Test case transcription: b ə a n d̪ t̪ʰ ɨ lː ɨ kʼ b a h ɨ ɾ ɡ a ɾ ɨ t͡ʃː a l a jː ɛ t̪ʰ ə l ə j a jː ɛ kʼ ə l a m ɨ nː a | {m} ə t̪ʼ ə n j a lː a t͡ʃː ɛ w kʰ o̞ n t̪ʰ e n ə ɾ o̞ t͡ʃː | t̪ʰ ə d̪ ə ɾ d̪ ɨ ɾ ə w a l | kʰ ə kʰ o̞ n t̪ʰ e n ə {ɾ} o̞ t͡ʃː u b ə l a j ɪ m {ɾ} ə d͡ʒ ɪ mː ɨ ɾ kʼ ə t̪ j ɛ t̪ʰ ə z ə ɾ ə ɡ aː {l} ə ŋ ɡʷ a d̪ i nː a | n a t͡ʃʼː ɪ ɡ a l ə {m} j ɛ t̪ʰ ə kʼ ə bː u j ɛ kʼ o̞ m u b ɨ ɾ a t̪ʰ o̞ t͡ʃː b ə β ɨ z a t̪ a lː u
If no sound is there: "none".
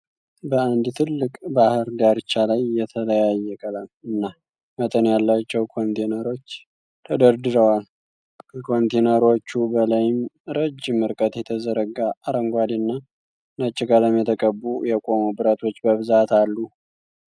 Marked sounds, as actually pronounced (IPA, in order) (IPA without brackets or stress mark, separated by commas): m, ɾ, ɾ, ɾ, m